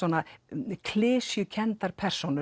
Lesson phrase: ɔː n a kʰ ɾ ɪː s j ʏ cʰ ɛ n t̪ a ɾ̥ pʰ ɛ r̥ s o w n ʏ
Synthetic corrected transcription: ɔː n a kʰ l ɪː s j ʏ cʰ ɛ n t̪ a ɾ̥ pʰ ɛ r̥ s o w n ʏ